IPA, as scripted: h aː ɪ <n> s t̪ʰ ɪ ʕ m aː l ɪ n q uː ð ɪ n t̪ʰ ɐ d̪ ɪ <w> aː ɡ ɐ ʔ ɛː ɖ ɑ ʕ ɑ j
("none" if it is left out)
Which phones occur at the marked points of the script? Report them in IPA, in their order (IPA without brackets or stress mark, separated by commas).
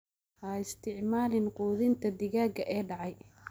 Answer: none, ɣ